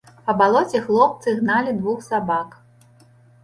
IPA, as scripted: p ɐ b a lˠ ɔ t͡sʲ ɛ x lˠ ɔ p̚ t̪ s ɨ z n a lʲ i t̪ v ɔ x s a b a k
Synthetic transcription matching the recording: p ɐ b a lˠ ɔ t͡sʲ ɛ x lˠ ɔ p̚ t̪ s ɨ ɣ n a lʲ i d̪ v u x s a b a k